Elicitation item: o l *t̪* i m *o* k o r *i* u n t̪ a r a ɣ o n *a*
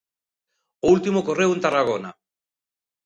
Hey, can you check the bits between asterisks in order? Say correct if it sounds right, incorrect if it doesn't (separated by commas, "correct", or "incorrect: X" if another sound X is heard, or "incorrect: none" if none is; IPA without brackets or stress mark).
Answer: correct, correct, incorrect: e, correct